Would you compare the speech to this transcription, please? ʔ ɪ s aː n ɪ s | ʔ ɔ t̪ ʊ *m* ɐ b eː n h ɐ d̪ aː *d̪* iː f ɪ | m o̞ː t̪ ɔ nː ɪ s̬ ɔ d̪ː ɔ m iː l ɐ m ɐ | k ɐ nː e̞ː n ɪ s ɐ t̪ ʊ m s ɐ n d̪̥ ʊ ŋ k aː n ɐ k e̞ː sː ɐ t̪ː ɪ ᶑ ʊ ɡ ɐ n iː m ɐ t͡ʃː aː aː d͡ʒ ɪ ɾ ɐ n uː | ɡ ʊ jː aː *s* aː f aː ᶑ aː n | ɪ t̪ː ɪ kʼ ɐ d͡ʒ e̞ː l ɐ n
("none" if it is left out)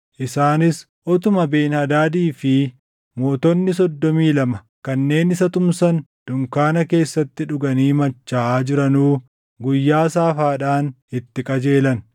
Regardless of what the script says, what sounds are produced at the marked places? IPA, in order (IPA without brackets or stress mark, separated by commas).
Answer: m, d̪, s